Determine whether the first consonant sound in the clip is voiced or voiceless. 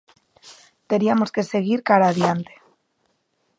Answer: voiceless